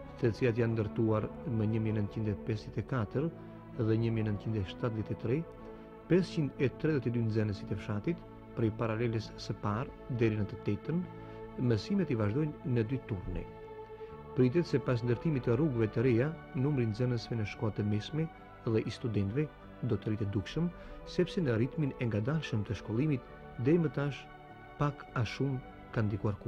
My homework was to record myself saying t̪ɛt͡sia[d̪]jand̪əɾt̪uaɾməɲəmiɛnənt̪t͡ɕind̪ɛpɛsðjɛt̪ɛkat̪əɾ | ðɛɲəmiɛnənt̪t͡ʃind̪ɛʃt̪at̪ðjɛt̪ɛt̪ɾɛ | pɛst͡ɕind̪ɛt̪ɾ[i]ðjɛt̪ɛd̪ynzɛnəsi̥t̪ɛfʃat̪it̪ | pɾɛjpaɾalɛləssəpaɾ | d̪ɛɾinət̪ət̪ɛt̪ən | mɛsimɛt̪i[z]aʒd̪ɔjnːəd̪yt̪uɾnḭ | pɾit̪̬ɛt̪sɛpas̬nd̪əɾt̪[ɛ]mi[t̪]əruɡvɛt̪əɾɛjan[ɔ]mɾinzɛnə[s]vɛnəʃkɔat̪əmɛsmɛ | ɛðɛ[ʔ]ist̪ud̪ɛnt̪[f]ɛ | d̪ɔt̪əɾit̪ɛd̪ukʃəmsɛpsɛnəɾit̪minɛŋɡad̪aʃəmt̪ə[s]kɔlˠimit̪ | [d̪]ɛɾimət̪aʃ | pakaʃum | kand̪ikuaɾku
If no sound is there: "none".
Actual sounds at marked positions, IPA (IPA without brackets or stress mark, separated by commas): t̪, ɛ, v, i, t̪, u, s, ʔ, v, ʃ, d̪